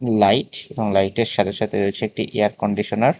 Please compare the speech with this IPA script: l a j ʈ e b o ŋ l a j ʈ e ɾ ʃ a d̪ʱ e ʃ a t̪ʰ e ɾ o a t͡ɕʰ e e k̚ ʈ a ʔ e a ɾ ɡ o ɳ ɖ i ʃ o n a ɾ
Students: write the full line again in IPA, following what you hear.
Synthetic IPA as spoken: l a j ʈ e b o ŋ l a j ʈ e ɾ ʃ a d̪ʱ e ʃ a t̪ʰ e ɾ o e t͡ɕʰ e e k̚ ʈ i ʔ e a ɾ k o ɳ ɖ i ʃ o n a ɾ